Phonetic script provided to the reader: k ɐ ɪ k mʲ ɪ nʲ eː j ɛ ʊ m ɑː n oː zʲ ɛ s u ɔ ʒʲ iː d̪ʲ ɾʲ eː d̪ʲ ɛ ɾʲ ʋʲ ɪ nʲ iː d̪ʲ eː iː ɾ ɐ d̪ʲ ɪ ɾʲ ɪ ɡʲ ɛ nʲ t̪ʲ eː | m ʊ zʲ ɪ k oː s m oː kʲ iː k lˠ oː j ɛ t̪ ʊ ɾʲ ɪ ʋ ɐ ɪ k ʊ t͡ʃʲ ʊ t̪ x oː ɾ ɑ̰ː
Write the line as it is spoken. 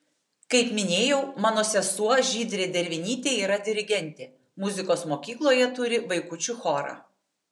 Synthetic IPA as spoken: k ɐ ɪ p mʲ ɪ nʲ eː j ɛ ʊ m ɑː n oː sʲ ɛ s u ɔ ʒʲ iː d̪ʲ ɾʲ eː d̪ʲ ɛ ɾʲ ʋʲ ɪ nʲ iː t̪ʲ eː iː ɾ ɐ d̪ʲ ɪ ɾʲ ɪ ɡʲ ɛ nʲ t̪ʲ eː | m ʊ zʲ ɪ k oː s m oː kʲ iː k lˠ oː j ɛ t̪ ʊ ɾʲ ɪ ʋ ɐ ɪ k ʊ t͡ʃʲ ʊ x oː ɾ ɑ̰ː